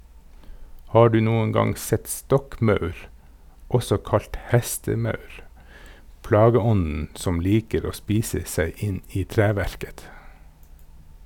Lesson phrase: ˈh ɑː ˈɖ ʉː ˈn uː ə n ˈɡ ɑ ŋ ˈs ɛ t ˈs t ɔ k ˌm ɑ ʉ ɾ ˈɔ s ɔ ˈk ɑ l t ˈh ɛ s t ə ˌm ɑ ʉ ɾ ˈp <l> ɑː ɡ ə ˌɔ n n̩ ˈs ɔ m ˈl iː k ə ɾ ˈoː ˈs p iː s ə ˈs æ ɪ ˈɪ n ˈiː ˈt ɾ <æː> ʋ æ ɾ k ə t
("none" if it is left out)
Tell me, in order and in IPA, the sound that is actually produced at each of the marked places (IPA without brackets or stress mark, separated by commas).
l, æː